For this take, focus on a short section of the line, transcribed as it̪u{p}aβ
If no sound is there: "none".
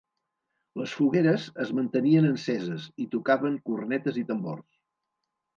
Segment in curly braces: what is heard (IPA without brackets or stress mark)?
k